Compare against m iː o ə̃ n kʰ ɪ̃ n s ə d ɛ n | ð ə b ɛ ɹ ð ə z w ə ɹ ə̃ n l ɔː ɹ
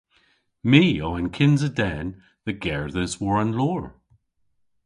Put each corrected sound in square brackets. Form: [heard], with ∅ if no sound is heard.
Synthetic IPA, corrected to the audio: m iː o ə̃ n kʰ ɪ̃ n [z] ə d ɛ n | ð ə [ɡ] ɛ ɹ ð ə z w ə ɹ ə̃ n l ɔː ɹ

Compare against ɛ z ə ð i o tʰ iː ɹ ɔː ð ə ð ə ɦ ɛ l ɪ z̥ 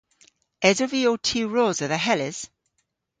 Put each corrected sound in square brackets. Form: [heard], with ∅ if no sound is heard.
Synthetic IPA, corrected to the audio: ɛ z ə [v] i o tʰ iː ɹ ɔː [z] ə ð ə ɦ ɛ l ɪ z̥

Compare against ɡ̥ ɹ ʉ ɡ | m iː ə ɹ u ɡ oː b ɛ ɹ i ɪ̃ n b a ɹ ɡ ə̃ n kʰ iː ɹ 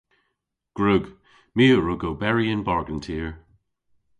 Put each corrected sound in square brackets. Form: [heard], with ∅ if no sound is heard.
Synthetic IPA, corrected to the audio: ɡ̥ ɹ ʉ ɡ | m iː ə ɹ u ɡ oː b ɛ ɹ i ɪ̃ n b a ɹ ɡ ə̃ n [tʰ] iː ɹ

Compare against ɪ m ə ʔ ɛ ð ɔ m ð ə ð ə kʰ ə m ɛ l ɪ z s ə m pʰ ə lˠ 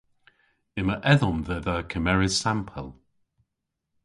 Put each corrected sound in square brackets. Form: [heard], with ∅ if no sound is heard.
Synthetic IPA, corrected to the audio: ɪ m ə ʔ ɛ ð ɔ m ð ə ð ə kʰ ə m ɛ [ɹ] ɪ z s [a] m pʰ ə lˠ

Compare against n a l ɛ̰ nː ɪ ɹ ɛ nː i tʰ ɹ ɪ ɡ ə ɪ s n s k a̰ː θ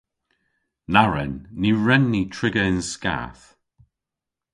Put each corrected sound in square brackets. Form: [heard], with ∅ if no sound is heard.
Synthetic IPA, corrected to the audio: n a [ɹ] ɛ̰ nː [i] ɹ ɛ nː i tʰ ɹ ɪ ɡ ə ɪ [∅] n s k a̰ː θ

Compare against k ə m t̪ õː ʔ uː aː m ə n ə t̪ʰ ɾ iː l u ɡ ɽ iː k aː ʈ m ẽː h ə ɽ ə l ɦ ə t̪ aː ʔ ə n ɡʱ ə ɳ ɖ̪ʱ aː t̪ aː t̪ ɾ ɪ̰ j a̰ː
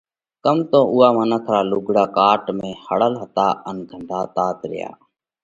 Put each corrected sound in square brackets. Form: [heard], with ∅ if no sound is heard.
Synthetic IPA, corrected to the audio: k ə m t̪ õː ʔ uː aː m ə n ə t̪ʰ ɾ [aː] l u ɡ ɽ [aː] k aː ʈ m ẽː h ə ɽ ə l ɦ ə t̪ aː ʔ ə n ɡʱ ə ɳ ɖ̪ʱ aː t̪ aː t̪ ɾ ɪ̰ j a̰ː

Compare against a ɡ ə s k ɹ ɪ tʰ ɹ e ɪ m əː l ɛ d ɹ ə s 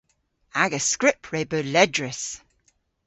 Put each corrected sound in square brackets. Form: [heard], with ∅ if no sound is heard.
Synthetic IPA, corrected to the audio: a ɡ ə s k ɹ ɪ [pʰ] ɹ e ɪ [b] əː l ɛ d ɹ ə s

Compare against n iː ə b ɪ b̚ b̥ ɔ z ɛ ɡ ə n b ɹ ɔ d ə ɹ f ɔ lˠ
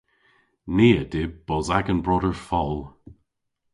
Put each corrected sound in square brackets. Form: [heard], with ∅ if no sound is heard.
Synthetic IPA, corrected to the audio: n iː ə [d] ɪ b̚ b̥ ɔ z [a] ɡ ə n b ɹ ɔ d ə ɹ f ɔ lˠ

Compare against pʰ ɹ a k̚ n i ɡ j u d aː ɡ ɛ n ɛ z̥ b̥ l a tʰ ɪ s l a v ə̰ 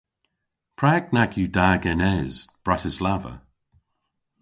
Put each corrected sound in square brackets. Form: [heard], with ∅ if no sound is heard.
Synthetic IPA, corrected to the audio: pʰ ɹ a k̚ n [a] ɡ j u d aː ɡ ɛ n ɛ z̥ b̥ [ɹ] a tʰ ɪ s l a v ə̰

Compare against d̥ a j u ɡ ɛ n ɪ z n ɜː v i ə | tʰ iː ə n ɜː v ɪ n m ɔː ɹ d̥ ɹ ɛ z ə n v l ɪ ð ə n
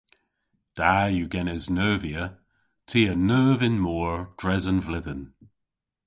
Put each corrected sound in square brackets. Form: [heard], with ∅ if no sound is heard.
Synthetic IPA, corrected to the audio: d̥ a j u ɡ ɛ n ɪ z n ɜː v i ə | tʰ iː ə n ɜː v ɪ n m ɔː ɹ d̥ ɹ ɛ z ə n v l ɪ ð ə n

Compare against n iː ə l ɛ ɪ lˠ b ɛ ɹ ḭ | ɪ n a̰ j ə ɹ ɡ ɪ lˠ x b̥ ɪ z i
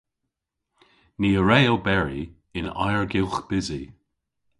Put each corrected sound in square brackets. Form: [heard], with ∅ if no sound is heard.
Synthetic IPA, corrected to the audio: n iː ə [ɹ] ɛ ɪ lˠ b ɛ ɹ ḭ | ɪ n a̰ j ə ɹ ɡ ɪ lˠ x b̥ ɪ z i

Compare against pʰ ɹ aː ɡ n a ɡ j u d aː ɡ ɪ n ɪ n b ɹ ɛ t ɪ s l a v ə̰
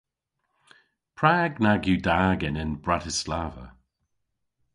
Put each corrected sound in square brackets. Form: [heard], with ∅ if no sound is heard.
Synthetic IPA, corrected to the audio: pʰ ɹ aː ɡ n a ɡ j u d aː ɡ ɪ n ɪ n b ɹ [a] t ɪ s l a v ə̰

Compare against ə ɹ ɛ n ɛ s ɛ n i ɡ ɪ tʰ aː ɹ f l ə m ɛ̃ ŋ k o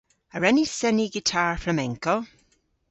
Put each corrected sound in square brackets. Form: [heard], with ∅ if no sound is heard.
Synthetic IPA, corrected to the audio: ə ɹ ɛ n [i] s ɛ n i ɡ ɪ tʰ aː ɹ f [ɹ] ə m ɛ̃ ŋ k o

